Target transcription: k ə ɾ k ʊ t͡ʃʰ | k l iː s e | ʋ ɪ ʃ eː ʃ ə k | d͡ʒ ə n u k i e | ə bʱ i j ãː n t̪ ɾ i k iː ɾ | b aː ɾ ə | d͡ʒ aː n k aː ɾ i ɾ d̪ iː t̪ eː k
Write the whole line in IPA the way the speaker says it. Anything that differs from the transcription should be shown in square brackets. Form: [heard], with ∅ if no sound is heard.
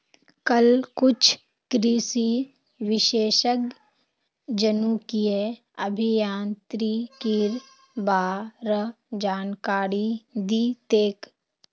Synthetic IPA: k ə [l] k ʊ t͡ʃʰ | k [ɾ] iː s [i] | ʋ ɪ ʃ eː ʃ ə k | d͡ʒ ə n u k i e | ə bʱ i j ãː n t̪ ɾ i k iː ɾ | b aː ɾ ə | d͡ʒ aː n k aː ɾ i [∅] d̪ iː t̪ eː k